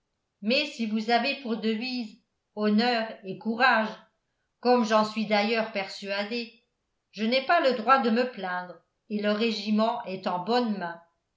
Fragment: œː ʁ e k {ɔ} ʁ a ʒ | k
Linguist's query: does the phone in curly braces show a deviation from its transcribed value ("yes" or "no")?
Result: yes